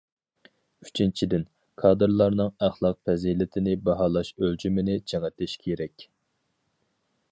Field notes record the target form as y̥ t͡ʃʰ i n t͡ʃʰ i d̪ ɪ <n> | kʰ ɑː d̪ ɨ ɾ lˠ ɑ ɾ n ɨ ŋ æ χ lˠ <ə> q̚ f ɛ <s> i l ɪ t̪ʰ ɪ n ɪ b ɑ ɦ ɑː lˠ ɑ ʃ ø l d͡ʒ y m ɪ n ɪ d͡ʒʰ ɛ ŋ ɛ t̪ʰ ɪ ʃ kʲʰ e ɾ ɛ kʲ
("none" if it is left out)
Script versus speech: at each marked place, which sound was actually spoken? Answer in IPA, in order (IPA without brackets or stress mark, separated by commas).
n, ɑ, z